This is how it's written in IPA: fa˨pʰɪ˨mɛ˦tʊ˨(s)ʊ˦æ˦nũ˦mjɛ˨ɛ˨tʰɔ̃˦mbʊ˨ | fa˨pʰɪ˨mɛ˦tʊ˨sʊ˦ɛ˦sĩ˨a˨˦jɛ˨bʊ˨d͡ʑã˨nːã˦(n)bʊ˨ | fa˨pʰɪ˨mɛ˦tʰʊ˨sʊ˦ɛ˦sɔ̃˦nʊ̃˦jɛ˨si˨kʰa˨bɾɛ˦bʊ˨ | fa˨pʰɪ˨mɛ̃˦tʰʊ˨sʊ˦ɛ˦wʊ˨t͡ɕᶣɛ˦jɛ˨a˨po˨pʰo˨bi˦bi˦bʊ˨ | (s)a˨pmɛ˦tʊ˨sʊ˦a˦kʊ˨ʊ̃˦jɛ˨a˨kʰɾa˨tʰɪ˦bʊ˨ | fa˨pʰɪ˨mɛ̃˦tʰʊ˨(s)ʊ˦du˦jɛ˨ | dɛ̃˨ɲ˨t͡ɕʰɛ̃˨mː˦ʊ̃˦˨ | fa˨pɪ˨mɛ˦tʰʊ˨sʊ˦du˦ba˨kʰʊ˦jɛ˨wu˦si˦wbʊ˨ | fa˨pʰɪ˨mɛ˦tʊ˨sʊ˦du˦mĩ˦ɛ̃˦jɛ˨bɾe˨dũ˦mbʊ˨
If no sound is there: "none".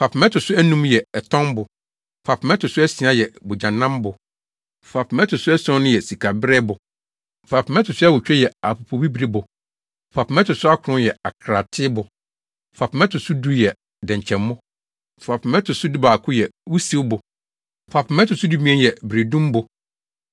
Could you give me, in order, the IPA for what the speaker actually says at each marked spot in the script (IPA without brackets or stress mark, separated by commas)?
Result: s, m, f, s